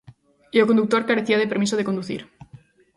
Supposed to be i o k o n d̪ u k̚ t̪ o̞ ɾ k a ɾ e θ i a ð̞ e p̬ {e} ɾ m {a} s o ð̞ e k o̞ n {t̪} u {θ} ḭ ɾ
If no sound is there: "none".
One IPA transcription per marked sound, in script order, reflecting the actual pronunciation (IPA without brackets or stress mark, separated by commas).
e, i, d̪, θ